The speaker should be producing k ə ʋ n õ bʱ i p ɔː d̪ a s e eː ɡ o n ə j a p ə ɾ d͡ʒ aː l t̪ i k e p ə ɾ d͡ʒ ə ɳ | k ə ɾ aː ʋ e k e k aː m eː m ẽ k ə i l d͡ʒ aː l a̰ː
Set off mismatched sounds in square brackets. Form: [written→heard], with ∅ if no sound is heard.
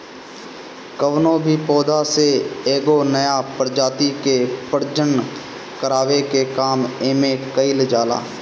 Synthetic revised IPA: k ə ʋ n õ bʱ i p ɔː d̪ a s e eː ɡ o n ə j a p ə ɾ d͡ʒ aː [l→∅] t̪ i k e p ə ɾ d͡ʒ ə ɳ | k ə ɾ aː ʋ e k e k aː m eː m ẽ k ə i l d͡ʒ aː l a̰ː